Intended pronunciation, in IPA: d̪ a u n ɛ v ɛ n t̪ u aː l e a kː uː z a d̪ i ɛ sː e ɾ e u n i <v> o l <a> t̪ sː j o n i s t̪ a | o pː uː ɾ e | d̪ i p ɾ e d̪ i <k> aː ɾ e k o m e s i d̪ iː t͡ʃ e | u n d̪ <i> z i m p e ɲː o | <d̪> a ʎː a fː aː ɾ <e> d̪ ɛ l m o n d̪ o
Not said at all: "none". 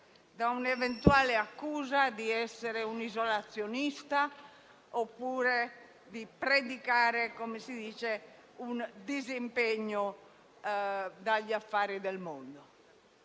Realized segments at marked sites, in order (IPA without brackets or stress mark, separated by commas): z, a, k, i, d̪, i